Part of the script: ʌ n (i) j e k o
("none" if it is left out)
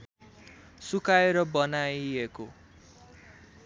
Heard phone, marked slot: a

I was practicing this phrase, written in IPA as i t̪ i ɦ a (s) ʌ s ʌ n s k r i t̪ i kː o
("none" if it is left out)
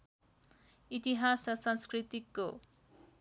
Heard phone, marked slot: s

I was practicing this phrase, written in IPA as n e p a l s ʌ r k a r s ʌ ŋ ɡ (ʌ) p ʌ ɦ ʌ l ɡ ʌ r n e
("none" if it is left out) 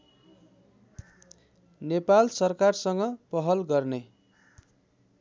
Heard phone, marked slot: ʌ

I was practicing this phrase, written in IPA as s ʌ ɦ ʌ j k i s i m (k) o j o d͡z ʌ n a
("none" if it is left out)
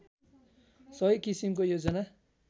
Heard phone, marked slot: k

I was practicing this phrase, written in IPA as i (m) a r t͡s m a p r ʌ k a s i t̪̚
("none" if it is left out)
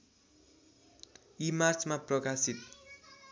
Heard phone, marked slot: m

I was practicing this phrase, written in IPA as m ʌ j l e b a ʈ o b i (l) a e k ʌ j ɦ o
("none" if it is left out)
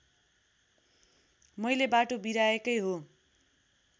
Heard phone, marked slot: ɾ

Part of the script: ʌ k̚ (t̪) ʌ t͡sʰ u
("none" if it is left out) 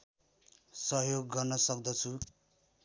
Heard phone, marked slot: d̪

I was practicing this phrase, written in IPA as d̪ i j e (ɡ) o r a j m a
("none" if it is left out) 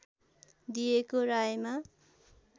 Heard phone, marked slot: k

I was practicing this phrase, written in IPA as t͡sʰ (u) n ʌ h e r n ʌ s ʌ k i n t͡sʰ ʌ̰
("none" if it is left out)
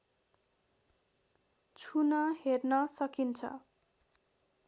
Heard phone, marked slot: u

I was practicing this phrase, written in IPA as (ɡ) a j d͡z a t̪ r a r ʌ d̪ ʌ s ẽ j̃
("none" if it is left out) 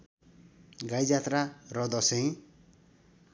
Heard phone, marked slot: ɡ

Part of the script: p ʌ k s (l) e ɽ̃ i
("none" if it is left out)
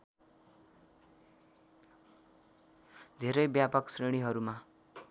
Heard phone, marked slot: r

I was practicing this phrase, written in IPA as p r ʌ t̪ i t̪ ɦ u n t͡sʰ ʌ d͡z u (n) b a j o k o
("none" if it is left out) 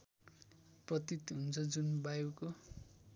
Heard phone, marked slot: n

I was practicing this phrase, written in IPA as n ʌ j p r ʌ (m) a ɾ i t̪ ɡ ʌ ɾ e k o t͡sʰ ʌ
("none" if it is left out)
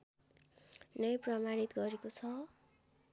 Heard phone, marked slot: m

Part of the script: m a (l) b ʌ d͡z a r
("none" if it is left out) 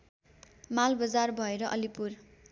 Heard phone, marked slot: l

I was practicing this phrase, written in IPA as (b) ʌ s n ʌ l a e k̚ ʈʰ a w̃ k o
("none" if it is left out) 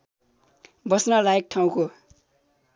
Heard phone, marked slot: b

